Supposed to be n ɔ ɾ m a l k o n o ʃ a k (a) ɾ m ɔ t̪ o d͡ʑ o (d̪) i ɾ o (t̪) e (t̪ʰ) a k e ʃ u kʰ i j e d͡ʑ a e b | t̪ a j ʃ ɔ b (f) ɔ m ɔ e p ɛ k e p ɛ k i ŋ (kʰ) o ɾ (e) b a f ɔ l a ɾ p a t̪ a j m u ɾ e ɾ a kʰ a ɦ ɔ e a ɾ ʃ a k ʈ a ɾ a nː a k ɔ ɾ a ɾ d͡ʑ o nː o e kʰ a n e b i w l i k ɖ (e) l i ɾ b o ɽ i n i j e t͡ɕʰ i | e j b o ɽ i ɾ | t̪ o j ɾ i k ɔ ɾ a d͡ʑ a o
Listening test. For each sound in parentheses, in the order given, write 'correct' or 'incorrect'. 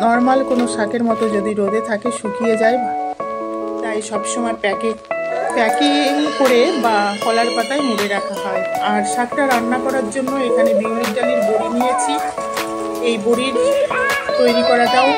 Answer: incorrect, correct, incorrect, correct, incorrect, incorrect, correct, incorrect

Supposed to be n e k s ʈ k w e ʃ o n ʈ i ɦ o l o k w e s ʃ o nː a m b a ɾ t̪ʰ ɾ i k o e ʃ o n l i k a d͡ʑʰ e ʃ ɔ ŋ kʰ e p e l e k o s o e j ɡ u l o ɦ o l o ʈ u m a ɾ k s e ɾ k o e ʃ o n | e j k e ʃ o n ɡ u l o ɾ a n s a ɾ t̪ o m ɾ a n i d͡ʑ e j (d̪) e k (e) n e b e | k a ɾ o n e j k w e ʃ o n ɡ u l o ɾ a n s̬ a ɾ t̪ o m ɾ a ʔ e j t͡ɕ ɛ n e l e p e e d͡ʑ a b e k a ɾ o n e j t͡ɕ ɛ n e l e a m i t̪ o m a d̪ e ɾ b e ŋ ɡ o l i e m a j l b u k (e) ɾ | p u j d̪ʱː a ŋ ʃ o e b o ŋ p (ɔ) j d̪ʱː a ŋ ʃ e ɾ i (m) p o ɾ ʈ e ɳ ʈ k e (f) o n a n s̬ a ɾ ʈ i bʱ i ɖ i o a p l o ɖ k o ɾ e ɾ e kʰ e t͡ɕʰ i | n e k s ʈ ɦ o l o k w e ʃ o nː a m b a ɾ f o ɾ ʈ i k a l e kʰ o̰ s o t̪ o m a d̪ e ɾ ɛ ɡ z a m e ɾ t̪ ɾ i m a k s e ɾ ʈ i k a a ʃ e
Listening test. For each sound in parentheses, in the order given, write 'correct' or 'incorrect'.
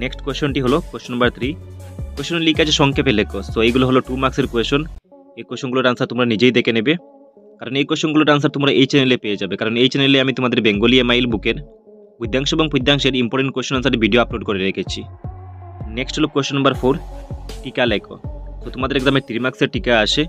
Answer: correct, correct, correct, incorrect, correct, incorrect

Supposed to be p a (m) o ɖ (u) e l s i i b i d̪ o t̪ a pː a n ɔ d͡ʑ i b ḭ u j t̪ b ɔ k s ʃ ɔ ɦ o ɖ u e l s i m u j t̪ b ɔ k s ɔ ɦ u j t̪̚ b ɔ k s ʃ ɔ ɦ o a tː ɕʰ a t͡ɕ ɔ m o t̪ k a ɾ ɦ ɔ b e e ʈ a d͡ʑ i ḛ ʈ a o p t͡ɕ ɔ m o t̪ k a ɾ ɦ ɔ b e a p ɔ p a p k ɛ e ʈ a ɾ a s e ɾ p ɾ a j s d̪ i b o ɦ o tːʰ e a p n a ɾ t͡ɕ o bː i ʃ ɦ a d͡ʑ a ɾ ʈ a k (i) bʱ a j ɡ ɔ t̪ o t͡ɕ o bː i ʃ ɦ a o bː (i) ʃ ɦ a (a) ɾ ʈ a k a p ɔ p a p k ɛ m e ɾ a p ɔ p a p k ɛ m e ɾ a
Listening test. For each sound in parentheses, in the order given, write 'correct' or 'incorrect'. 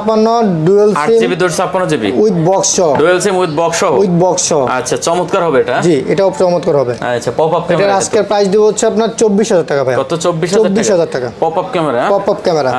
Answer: incorrect, correct, incorrect, correct, correct

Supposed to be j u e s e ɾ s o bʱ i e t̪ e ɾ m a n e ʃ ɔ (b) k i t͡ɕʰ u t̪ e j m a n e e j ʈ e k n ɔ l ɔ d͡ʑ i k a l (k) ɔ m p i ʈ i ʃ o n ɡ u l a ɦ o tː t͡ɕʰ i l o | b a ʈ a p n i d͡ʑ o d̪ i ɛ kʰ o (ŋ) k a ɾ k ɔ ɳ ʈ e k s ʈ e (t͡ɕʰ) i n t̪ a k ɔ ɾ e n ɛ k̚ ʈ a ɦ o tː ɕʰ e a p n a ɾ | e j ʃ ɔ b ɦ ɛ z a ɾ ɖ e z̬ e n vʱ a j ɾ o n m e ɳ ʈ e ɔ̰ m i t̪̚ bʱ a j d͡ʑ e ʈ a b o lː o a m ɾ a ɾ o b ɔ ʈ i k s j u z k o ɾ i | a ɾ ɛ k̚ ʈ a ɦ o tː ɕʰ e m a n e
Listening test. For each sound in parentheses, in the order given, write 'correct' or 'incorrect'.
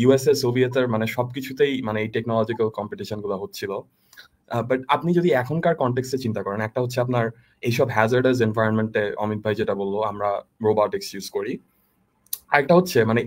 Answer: correct, correct, incorrect, incorrect

